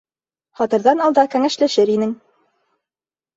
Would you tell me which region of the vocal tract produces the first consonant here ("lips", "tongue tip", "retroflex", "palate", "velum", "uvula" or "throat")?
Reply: uvula